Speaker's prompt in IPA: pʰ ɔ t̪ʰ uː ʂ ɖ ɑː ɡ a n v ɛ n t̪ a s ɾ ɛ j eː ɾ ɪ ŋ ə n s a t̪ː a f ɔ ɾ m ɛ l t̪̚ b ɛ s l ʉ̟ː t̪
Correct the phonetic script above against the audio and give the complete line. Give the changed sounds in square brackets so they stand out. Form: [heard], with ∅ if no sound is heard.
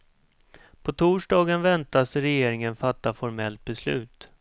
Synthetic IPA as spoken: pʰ ɔ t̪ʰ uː ʂ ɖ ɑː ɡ [ə] n v ɛ n t̪ a s ɾ ɛ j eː ɾ ɪ ŋ ə n [f] a t̪ː a f ɔ ɾ m ɛ l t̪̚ b ɛ s l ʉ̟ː t̪